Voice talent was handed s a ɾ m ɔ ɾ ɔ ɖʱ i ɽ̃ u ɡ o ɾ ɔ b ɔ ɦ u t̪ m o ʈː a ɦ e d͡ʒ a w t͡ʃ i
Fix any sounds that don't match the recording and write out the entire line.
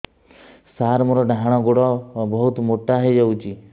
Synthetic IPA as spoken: s a ɾ m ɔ ɾ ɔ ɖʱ a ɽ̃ ɔ ɡ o ɽ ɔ b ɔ ɦ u t̪ m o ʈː a ɦ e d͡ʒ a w t͡ʃ i